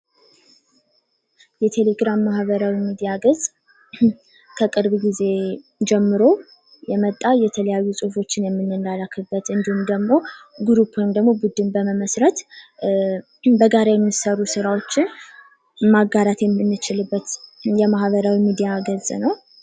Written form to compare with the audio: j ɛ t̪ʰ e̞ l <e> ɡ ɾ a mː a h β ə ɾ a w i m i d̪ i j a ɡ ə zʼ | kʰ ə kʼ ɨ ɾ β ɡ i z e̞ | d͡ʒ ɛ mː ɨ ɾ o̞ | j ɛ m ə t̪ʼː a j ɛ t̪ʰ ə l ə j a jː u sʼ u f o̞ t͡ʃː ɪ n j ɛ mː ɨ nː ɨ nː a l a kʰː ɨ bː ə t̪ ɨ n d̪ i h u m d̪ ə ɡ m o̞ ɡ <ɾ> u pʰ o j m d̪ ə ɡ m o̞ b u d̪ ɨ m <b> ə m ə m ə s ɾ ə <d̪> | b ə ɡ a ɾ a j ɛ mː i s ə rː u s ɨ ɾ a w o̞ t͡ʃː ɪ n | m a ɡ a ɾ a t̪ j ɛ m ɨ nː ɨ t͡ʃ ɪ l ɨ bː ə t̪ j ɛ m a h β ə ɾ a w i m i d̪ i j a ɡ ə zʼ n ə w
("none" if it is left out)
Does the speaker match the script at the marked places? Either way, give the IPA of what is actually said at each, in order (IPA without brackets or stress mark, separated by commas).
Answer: e, ɾ, b, t̪